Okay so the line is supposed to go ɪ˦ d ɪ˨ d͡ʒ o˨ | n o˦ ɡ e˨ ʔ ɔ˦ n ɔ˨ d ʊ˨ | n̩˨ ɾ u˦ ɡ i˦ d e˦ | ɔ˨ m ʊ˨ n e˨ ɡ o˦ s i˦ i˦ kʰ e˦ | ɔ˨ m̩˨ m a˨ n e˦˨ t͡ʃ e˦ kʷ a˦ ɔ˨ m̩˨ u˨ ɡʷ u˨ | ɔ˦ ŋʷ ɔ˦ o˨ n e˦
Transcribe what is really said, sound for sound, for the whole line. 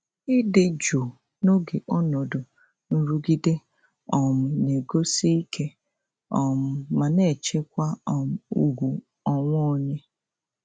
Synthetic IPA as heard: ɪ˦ d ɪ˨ d͡ʒ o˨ | n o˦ ɡ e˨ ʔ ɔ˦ n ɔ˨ d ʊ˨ | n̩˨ ɾ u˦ ɡ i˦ d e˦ | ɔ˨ m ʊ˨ n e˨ ɡ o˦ s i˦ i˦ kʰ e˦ | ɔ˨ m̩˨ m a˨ n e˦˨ t͡ʃ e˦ kʷ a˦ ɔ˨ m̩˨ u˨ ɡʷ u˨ | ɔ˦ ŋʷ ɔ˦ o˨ ɲ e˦